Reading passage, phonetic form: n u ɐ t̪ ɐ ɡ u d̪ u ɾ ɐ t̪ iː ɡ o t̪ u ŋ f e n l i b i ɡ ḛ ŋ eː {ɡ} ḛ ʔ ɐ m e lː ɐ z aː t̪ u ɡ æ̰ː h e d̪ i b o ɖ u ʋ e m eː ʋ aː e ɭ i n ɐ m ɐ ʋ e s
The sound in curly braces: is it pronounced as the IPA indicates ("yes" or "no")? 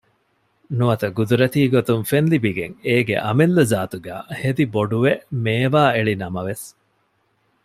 yes